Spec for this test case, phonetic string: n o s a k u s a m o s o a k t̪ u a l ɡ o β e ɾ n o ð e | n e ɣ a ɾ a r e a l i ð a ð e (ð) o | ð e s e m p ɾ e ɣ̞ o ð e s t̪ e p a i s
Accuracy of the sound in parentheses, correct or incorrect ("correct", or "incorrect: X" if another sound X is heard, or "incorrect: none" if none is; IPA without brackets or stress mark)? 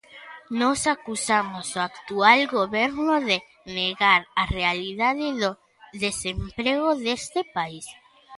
correct